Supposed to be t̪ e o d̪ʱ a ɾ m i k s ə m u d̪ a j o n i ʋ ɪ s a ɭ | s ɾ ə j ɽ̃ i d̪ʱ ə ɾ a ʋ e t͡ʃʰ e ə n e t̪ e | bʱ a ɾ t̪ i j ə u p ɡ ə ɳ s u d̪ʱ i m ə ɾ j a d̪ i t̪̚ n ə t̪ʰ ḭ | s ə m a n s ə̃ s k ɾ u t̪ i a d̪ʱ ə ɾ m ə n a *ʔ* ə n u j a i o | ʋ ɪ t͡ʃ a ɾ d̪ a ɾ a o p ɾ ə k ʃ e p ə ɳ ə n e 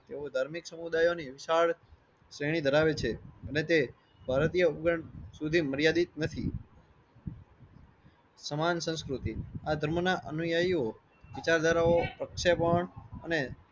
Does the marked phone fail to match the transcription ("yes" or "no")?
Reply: no